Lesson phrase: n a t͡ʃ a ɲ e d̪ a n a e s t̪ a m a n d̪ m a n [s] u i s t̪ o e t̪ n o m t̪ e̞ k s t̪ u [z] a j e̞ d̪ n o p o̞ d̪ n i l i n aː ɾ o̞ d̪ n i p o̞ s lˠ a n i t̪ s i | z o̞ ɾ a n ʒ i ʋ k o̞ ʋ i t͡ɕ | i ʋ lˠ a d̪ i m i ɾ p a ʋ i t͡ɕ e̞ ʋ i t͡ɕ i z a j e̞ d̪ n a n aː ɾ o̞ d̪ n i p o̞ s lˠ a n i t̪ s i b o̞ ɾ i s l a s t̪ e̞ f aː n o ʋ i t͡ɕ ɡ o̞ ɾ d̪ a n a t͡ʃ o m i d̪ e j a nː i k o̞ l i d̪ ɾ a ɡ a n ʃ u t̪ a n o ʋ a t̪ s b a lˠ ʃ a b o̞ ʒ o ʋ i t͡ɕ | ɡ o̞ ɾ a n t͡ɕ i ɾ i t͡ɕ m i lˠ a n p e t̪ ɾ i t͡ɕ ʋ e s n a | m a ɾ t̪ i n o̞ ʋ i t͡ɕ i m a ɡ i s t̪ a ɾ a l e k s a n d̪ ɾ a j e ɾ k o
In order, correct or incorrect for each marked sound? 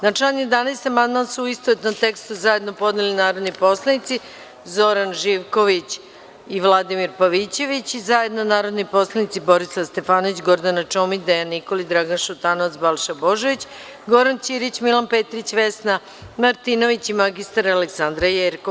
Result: correct, correct

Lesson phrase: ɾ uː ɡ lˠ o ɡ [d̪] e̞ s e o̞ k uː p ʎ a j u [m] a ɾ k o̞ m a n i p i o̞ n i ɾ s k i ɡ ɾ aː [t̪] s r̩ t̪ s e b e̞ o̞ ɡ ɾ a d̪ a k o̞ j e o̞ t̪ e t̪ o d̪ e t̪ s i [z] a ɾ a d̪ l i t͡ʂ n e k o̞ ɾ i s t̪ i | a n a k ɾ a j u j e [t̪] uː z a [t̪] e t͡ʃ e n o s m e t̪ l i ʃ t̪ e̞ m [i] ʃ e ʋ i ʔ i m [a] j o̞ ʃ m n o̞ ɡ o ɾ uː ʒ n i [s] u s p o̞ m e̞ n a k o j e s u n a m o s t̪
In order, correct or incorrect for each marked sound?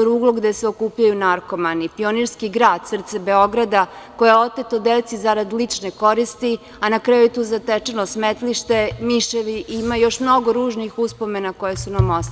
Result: correct, incorrect: n, incorrect: d̪, correct, correct, correct, correct, correct, incorrect: x

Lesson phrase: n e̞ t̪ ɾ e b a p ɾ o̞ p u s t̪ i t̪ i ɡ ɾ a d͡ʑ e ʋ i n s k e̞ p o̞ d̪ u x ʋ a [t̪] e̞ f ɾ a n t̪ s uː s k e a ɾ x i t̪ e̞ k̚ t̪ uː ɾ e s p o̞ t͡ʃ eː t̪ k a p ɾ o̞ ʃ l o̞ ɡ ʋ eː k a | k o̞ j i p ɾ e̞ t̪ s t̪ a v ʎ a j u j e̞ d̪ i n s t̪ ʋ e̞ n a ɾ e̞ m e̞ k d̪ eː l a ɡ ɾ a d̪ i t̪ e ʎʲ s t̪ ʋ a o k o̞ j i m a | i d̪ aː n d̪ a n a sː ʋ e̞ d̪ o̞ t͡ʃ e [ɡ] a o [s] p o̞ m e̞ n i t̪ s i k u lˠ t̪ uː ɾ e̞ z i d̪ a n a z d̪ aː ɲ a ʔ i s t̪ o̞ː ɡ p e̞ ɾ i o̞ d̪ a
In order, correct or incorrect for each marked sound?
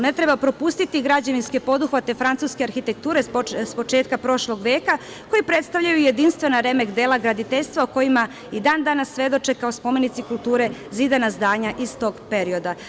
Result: correct, incorrect: k, correct

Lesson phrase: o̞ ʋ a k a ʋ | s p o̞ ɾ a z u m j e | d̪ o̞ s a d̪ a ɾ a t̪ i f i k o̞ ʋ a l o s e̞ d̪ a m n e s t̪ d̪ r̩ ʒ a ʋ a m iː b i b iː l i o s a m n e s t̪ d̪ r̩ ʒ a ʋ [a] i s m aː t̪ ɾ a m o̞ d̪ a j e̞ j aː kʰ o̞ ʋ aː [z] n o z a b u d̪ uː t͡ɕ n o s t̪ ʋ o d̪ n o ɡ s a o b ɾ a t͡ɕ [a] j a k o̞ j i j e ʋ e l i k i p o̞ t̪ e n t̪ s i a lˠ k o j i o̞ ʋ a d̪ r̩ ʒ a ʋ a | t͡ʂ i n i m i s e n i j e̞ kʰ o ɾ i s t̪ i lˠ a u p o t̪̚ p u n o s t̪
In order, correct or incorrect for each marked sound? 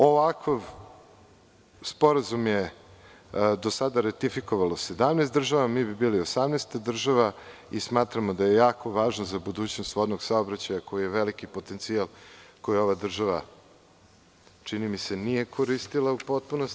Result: correct, incorrect: ʒ, correct

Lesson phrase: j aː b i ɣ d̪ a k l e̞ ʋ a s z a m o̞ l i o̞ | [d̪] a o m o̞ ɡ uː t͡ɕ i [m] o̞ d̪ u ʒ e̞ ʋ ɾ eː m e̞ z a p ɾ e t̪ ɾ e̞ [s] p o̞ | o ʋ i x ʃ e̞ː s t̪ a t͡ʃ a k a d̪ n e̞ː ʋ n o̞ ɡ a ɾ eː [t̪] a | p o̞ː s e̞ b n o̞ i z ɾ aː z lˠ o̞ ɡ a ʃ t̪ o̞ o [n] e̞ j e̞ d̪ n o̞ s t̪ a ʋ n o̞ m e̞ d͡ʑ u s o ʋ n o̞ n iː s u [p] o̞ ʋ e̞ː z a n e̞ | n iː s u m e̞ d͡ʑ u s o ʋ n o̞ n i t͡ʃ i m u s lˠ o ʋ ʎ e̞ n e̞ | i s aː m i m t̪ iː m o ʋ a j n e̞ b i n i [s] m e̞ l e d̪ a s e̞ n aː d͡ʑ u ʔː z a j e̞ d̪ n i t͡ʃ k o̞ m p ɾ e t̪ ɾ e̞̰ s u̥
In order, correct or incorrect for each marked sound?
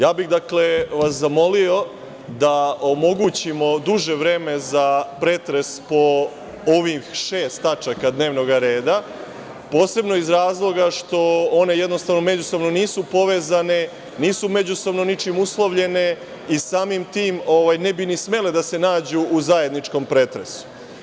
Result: correct, correct, correct, incorrect: d̪, correct, correct, correct

